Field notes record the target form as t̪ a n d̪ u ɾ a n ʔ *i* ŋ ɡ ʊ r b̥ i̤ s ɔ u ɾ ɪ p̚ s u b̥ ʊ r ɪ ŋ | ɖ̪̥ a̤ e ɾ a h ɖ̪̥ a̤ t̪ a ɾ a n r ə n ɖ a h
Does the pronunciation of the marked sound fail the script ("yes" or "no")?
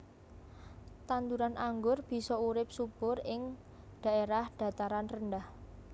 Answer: yes